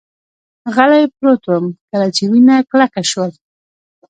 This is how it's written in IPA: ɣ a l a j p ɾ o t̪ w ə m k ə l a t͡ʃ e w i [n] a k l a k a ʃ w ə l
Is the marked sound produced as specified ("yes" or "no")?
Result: yes